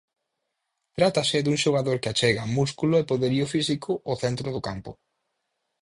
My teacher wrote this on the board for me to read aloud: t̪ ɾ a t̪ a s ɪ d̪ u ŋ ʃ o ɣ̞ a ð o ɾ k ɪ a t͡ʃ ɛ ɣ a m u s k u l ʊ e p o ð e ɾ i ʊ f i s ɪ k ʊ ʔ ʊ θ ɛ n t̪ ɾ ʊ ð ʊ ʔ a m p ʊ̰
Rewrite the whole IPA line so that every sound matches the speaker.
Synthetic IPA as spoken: t̪ ɾ a t̪ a s ɪ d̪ u ŋ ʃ o ɣ̞ a ð o ɾ k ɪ a t͡ʃ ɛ ɣ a m u s k u l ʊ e p o ð e ɾ i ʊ f i s i k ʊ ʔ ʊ θ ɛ n t̪ ɾ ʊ ð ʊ k a m p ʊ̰